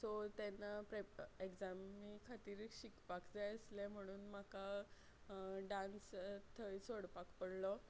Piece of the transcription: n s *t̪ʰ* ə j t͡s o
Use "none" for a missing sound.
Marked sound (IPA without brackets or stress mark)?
t̪ʰ